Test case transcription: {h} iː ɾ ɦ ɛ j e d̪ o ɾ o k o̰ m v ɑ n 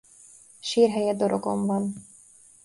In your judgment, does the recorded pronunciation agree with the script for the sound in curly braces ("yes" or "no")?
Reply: no